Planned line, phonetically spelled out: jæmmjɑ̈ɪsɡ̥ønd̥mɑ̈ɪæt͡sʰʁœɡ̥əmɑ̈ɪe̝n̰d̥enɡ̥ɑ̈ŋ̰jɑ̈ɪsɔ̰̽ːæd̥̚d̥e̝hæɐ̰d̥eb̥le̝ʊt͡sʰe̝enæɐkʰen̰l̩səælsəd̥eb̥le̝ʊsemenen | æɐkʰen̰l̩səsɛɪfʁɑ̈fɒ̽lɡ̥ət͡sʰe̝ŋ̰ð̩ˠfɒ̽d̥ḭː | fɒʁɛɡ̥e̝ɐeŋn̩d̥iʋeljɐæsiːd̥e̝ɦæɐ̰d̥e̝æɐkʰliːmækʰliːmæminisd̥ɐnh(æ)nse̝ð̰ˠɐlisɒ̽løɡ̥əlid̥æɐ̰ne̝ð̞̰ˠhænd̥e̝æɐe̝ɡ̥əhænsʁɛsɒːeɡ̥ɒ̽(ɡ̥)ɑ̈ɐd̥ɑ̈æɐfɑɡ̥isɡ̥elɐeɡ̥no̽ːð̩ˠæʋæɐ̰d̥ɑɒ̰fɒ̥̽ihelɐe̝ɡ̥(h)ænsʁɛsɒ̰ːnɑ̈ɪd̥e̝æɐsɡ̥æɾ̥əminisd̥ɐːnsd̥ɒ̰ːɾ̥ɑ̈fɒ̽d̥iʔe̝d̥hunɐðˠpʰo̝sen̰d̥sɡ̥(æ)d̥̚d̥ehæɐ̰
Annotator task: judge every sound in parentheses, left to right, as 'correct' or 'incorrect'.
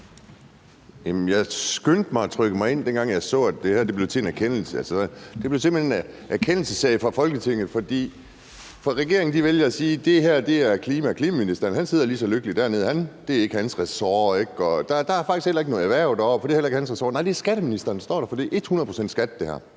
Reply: correct, incorrect: d̥, correct, correct

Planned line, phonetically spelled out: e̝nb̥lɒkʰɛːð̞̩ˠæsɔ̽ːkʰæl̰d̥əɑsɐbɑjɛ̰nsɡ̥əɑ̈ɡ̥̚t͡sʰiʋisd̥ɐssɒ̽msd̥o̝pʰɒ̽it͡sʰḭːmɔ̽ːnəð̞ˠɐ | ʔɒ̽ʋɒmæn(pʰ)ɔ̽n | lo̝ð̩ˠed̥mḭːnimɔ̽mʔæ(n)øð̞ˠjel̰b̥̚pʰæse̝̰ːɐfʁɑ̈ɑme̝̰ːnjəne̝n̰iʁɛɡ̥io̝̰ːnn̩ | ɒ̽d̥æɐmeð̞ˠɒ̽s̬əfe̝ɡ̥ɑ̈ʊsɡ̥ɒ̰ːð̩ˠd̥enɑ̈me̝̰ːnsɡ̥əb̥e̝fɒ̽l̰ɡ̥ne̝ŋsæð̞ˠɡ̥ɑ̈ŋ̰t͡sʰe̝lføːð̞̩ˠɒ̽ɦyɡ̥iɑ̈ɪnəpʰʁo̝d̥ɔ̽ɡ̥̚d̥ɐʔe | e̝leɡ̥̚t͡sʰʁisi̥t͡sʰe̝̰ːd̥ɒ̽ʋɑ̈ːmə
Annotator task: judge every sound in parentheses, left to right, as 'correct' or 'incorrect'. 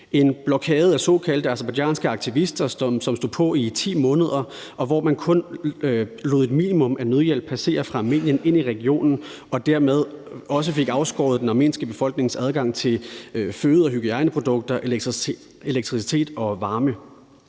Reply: incorrect: kʰ, correct

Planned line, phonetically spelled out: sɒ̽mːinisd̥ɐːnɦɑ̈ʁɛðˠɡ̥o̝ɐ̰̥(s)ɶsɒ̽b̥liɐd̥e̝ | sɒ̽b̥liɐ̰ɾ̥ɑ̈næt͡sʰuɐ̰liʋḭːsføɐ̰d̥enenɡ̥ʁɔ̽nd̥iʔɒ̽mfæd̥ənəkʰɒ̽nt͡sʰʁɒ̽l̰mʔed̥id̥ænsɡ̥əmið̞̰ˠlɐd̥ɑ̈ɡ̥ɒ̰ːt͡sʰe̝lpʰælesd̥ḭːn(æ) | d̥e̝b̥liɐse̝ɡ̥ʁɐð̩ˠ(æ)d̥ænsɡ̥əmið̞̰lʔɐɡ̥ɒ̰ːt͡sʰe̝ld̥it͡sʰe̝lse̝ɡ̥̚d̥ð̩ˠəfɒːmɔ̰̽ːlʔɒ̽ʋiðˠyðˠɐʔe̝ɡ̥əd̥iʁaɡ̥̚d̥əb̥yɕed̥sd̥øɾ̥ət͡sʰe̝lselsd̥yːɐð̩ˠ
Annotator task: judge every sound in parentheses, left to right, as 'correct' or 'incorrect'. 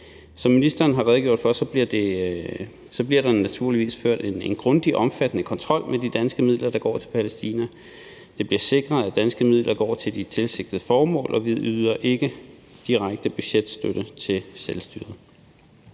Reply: incorrect: f, correct, correct

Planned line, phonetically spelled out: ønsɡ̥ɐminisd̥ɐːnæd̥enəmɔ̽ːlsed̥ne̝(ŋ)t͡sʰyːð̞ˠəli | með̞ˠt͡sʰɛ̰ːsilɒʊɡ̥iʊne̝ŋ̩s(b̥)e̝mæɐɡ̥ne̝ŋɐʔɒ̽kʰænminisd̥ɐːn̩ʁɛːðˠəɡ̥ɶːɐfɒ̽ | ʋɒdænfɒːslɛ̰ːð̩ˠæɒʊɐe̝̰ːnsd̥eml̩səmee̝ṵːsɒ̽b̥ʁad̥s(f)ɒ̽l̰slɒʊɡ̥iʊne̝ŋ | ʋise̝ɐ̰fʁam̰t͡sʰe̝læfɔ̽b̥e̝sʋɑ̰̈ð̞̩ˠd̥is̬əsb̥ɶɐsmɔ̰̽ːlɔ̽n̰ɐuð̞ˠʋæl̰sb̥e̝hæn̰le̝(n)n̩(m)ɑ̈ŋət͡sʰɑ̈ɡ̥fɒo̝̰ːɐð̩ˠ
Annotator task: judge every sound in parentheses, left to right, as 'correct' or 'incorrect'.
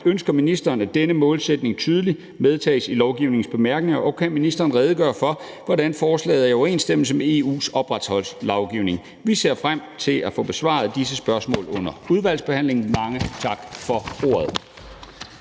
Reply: correct, correct, incorrect: h, incorrect: ŋ, correct

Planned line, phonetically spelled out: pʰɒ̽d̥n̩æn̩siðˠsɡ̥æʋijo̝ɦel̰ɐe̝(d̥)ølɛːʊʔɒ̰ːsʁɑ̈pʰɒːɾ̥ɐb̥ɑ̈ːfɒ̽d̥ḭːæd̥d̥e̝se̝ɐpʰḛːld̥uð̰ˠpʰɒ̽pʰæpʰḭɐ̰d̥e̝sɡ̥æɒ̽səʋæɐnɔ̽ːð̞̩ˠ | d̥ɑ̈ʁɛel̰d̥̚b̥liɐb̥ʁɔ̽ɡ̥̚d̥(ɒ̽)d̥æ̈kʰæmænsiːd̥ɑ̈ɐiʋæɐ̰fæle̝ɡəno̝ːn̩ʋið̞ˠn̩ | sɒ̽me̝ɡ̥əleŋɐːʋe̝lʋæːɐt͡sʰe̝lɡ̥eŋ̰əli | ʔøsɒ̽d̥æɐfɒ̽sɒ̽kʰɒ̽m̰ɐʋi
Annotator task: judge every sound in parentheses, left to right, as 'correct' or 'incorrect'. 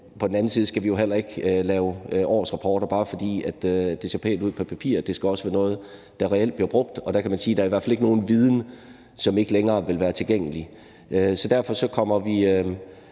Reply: incorrect: ɡ̥, correct

